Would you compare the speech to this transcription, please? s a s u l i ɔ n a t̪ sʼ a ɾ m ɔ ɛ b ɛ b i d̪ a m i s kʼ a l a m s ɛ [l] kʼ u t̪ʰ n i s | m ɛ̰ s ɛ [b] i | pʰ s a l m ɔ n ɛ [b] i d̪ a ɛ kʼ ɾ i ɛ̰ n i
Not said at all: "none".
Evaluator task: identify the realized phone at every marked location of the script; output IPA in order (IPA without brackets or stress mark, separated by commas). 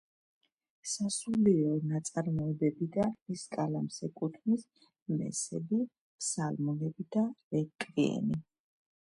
none, b, b